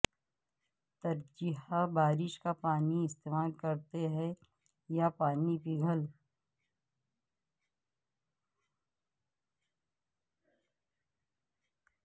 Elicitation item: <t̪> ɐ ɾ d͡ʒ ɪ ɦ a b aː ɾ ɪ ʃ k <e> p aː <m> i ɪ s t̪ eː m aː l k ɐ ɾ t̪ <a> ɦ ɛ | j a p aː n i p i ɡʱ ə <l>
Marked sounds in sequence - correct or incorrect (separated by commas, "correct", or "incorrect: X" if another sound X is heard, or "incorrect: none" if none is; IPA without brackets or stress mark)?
correct, incorrect: a, incorrect: n, incorrect: e, correct